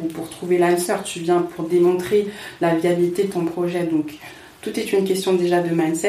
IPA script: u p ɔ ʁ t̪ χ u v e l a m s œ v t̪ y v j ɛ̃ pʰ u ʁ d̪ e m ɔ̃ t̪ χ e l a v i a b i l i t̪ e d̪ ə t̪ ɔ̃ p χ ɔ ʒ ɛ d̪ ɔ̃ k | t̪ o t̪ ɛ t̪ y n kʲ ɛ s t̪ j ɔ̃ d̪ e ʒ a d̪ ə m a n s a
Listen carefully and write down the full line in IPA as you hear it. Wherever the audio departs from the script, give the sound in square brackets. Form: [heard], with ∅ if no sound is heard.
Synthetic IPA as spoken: u p [u] ʁ t̪ χ u v e l a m s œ [ʁ] t̪ y v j ɛ̃ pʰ u ʁ d̪ e m ɔ̃ t̪ χ e l a v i a b i l i t̪ e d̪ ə t̪ ɔ̃ p χ ɔ ʒ ɛ d̪ ɔ̃ k | t̪ [u] t̪ ɛ t̪ y n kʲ ɛ s t̪ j ɔ̃ d̪ e ʒ a d̪ ə m a n s [ɛ]